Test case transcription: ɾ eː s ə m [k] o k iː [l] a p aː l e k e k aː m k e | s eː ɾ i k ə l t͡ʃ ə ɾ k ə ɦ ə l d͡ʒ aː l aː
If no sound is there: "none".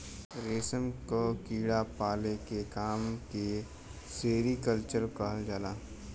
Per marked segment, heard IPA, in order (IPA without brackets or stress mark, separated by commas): k, ɽ